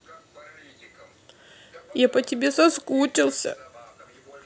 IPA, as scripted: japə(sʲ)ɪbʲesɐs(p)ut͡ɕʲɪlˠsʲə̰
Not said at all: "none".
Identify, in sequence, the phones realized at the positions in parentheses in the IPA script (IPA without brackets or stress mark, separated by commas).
tʲ, k